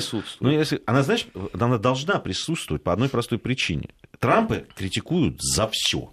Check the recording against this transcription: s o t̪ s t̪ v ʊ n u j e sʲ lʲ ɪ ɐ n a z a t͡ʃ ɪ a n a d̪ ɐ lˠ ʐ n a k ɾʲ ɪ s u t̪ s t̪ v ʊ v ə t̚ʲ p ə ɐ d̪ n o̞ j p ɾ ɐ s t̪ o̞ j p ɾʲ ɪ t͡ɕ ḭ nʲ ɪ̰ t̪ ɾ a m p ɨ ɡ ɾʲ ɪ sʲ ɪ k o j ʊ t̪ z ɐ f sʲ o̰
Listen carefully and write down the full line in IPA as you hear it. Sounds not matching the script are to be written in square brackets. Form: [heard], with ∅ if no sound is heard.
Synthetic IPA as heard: s [u] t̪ s t̪ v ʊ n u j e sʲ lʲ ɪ ɐ n a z a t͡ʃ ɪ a n a d̪ ɐ lˠ ʐ n a [p] ɾʲ ɪ s u t̪ s t̪ v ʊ v ə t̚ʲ p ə ɐ d̪ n o̞ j p ɾ ɐ s t̪ o̞ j p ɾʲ ɪ t͡ɕ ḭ nʲ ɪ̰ t̪ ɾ a m p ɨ [k] ɾʲ ɪ [tʲ] ɪ k [u] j ʊ t̪ z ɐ f sʲ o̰